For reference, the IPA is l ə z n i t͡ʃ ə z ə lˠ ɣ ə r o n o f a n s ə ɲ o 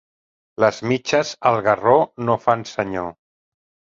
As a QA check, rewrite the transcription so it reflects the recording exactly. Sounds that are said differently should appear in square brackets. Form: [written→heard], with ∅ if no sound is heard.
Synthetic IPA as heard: l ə z [n→m] i t͡ʃ ə z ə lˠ ɣ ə r o n o f a n s ə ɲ o